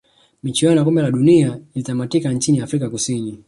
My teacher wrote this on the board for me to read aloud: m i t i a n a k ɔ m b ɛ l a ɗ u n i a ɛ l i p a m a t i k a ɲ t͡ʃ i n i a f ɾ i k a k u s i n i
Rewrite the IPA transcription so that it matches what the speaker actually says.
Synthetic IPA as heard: m i t͡ʃ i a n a k ɔ m b ɛ l a ɗ u n i a i l i t a m a t i k a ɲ t͡ʃ i n i a f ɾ i k a k u s i n i